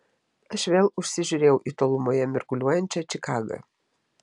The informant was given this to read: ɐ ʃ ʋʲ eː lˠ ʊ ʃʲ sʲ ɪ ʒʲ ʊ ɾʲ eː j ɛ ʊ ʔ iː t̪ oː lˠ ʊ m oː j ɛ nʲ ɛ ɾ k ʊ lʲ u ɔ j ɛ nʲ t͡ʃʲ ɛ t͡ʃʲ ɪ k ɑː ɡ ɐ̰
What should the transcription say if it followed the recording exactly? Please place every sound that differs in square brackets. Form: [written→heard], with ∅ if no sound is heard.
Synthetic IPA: ɐ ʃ ʋʲ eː lˠ ʊ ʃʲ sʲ ɪ ʒʲ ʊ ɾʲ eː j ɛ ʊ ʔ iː t̪ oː lˠ ʊ m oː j ɛ [nʲ→mʲ] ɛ ɾ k ʊ lʲ u ɔ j ɛ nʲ t͡ʃʲ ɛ t͡ʃʲ ɪ k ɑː ɡ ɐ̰